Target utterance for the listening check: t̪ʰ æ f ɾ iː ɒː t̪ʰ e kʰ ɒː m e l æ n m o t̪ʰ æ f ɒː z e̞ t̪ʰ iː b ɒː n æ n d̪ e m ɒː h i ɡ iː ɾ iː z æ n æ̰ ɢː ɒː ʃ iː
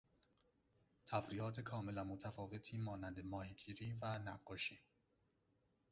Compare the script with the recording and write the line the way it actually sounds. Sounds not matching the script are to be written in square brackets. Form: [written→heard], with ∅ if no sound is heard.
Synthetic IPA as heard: t̪ʰ æ f ɾ iː ɒː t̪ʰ e kʰ ɒː m e l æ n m o t̪ʰ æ f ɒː [z→v] e̞ t̪ʰ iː [b→m] ɒː n æ n d̪ e m ɒː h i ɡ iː ɾ iː [z→v] æ n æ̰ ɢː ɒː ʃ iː